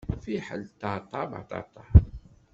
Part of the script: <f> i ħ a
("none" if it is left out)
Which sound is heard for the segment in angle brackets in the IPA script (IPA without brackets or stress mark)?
f